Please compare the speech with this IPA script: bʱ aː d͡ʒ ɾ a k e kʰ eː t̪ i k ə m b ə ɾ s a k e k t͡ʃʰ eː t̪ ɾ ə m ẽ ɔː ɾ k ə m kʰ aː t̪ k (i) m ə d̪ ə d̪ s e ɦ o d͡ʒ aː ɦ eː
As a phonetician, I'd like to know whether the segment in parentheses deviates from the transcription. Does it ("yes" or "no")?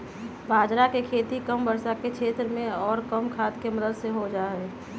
yes